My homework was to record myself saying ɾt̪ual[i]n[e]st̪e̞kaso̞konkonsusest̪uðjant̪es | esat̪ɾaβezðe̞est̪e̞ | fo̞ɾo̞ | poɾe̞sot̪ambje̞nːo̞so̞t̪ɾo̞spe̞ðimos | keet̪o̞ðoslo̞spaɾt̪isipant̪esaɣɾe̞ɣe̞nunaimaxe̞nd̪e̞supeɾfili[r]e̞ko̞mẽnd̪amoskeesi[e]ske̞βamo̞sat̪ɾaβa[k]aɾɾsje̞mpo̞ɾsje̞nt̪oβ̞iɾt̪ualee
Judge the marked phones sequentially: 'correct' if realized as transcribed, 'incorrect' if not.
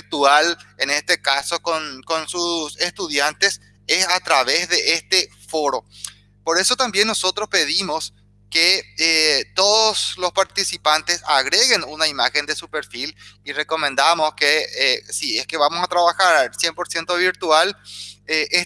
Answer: incorrect: e, correct, correct, correct, incorrect: x

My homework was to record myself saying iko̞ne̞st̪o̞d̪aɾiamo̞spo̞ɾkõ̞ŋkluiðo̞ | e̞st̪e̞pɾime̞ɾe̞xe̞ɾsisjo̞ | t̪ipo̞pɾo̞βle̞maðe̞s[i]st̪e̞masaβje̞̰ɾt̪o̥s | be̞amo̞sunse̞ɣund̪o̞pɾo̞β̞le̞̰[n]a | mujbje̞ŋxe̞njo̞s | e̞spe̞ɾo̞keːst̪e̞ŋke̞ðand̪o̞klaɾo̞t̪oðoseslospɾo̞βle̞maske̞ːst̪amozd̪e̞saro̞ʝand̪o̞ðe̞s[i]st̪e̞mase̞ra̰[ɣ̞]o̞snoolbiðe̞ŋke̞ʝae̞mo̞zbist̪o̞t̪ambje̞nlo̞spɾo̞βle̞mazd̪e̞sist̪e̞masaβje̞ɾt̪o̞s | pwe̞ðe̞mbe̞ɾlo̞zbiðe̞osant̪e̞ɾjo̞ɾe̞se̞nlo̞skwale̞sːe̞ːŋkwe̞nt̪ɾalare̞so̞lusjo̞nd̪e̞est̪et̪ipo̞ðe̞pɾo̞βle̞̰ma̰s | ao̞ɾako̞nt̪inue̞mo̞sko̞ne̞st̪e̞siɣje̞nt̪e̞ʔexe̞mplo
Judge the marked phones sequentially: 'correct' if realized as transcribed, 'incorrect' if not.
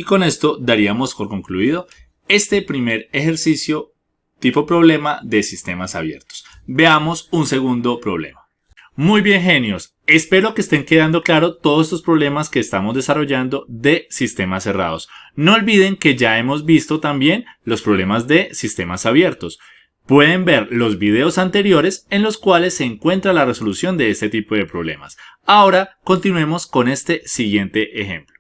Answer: correct, incorrect: m, correct, incorrect: ð̞

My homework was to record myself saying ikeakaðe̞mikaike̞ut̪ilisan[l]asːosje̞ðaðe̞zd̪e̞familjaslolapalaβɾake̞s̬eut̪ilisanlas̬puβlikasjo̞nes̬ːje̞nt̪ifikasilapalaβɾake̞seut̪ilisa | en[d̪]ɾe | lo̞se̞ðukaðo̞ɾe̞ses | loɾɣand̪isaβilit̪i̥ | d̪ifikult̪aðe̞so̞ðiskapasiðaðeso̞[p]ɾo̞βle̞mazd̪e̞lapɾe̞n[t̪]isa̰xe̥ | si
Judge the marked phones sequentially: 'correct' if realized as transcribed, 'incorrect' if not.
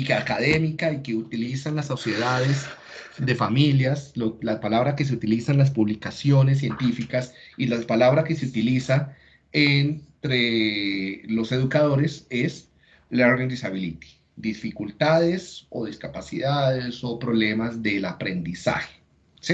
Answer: correct, incorrect: t̪, correct, incorrect: d̪

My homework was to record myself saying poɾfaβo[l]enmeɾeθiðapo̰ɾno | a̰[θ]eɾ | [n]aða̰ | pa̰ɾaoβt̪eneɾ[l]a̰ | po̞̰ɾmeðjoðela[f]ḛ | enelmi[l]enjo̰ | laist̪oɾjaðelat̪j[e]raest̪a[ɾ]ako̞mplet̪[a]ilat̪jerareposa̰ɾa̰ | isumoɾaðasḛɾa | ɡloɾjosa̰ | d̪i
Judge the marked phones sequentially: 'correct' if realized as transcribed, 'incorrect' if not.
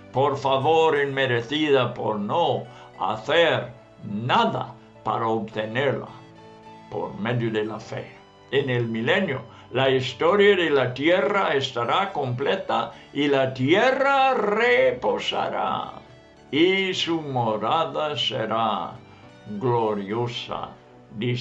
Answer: incorrect: ɾ, correct, correct, correct, correct, correct, correct, correct, correct

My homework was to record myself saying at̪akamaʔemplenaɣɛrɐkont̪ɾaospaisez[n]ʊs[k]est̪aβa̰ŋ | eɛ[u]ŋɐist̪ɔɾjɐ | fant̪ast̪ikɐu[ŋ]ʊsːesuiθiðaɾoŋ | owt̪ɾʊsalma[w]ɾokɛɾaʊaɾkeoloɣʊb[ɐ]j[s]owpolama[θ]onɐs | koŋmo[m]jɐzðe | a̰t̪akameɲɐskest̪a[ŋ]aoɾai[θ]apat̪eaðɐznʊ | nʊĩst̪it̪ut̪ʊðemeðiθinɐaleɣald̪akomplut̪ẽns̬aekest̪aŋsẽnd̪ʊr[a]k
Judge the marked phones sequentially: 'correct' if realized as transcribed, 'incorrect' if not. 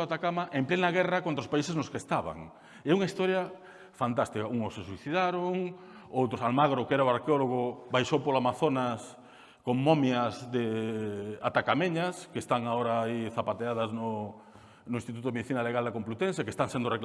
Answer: correct, correct, correct, correct, incorrect: ɣ, incorrect: a, incorrect: ʃ, correct, correct, correct, correct, incorrect: e

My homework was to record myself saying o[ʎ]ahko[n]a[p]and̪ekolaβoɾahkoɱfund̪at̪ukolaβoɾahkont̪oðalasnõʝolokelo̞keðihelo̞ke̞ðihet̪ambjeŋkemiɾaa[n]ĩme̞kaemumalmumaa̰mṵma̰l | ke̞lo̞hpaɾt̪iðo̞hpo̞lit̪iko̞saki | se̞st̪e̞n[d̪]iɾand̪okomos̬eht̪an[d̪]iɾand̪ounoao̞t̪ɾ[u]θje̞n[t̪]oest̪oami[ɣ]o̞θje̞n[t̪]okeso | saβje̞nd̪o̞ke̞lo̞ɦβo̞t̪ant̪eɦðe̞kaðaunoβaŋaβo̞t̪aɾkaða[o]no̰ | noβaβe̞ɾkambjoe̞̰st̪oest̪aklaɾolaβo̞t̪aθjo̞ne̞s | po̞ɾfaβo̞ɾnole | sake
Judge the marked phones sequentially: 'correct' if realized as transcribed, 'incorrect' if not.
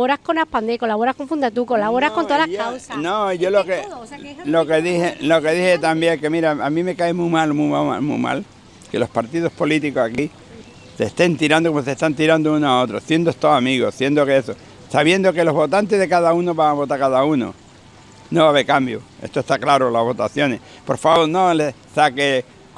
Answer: incorrect: ɾ, correct, correct, incorrect: m, incorrect: t̪, incorrect: t̪, incorrect: o, incorrect: d̪, correct, incorrect: d̪, incorrect: u

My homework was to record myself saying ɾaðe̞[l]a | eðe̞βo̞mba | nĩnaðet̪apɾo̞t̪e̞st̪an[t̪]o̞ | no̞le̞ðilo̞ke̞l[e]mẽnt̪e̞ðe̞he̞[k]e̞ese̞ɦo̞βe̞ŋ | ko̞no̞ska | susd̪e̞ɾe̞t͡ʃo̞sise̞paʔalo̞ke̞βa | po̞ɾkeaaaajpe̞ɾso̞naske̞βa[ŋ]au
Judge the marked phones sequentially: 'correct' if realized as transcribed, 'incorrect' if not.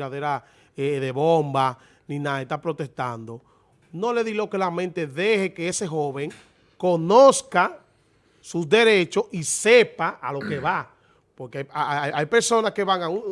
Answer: incorrect: ɾ, incorrect: d̪, incorrect: a, correct, correct

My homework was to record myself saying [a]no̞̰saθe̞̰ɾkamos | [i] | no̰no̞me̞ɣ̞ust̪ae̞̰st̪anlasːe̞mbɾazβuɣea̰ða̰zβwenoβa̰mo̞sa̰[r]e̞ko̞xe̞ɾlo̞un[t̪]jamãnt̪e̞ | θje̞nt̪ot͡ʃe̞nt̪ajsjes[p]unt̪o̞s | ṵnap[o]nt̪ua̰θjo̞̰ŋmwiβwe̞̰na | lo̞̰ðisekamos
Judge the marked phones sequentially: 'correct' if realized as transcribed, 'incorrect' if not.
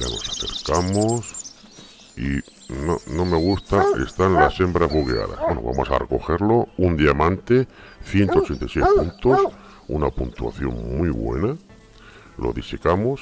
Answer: correct, correct, correct, incorrect: d̪, correct, incorrect: u

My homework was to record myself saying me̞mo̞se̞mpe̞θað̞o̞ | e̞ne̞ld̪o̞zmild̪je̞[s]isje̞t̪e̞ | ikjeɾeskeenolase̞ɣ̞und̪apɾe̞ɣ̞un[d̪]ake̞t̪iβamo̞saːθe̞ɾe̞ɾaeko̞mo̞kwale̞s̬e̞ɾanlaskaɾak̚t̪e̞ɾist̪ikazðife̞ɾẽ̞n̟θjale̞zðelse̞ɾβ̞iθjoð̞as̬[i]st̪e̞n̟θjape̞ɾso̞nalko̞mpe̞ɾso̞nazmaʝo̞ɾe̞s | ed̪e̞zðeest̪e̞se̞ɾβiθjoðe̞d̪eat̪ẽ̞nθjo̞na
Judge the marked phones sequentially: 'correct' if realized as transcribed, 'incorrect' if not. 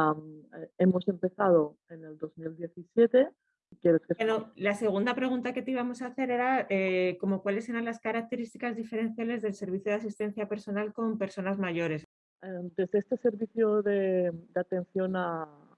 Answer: incorrect: θ, incorrect: t̪, correct

